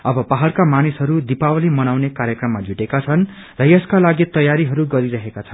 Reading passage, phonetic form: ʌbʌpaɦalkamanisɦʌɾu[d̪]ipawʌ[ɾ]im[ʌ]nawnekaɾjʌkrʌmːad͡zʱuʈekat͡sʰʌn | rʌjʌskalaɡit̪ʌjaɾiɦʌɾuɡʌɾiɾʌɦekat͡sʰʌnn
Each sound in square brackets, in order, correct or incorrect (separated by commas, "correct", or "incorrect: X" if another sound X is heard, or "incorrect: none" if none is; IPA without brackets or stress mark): correct, incorrect: l, correct